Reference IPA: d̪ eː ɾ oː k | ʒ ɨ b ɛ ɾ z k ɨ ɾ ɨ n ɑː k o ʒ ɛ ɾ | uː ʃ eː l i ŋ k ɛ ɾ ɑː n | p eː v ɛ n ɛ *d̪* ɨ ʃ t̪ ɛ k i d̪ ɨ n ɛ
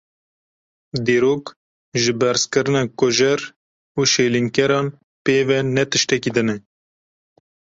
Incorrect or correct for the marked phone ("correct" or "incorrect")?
incorrect